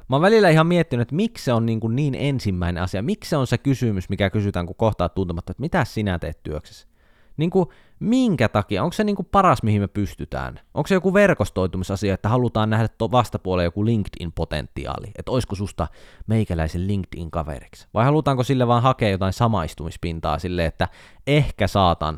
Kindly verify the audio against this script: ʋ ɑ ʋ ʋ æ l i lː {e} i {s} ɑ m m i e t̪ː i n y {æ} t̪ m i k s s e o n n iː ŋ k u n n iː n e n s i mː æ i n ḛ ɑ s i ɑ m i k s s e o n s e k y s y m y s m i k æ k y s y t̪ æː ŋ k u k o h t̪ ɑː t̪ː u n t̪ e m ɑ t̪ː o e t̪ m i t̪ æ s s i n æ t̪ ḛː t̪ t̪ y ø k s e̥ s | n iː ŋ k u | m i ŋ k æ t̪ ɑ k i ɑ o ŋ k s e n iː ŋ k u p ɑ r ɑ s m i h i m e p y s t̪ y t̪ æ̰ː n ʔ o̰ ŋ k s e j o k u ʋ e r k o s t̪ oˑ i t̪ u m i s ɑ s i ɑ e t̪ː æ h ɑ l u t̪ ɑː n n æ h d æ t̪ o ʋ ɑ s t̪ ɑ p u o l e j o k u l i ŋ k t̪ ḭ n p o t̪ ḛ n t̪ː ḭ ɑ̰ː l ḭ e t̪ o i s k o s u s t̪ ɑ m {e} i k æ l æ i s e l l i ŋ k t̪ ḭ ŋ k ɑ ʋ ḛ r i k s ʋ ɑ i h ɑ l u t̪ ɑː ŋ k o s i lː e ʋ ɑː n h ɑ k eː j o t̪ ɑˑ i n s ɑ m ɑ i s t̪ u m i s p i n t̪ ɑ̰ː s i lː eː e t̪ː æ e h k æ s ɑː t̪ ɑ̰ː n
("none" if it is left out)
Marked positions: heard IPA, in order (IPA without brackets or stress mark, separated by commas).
æ, h, e, e